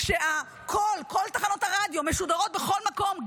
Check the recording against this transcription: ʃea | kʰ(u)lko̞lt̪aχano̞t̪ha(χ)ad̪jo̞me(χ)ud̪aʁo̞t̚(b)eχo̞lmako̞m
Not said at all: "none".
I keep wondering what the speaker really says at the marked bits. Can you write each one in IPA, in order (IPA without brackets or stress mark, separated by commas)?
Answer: o, ʁ, ʃ, b